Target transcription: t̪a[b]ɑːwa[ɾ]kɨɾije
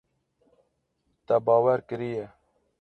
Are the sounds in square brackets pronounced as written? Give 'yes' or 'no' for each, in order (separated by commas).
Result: yes, yes